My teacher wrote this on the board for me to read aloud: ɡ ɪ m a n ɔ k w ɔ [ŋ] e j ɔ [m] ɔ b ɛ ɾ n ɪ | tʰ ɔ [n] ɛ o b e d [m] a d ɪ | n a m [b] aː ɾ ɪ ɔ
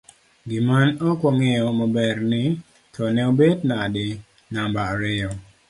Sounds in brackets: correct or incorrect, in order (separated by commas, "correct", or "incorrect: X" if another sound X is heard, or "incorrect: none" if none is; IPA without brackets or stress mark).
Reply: correct, correct, correct, incorrect: n, correct